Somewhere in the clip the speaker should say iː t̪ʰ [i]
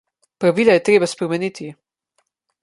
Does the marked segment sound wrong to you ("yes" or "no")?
no